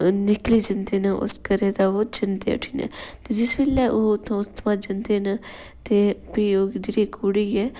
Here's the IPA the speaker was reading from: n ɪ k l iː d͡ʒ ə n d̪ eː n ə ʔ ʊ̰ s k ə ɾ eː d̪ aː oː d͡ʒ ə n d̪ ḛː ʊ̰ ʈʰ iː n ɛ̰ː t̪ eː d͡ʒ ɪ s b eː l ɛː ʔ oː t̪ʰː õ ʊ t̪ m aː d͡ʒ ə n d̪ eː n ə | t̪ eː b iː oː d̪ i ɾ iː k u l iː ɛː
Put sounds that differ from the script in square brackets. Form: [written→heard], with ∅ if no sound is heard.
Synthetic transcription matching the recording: n ɪ k l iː d͡ʒ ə n d̪ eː n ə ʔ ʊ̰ s k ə ɾ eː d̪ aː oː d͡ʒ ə n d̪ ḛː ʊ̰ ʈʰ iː n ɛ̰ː t̪ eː d͡ʒ ɪ s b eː l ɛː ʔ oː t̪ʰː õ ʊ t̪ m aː d͡ʒ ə n d̪ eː n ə | t̪ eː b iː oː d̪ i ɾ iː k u [l→ɽ] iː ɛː